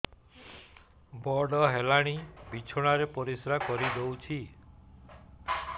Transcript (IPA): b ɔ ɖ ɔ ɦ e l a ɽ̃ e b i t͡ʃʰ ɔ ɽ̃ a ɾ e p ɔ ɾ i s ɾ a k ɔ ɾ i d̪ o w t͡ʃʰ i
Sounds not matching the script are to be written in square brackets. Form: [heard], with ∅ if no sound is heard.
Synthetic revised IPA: b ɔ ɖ ɔ ɦ e l a ɽ̃ [i] b i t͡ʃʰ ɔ ɽ̃ a ɾ e p ɔ ɾ i s ɾ a k ɔ ɾ i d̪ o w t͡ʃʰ i